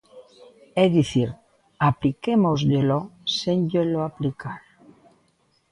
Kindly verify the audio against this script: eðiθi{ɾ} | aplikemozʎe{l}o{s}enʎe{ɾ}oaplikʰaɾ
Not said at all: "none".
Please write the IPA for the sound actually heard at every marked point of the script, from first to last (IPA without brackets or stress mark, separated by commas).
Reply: ɾ, l, s, l